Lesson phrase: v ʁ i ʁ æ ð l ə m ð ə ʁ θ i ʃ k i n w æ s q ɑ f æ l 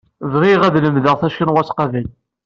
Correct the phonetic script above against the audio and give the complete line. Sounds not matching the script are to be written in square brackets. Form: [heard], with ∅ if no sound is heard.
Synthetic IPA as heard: v ʁ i ʁ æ ð l ə m ð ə ʁ θ [æ] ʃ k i n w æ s q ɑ [v] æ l